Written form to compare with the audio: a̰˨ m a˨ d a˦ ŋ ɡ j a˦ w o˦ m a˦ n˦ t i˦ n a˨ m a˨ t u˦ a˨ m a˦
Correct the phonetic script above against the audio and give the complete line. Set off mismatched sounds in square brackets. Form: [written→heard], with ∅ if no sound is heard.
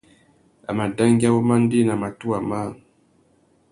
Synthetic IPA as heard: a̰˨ m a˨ d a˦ ŋ ɡ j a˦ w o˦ m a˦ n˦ [t→d] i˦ n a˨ m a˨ t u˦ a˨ m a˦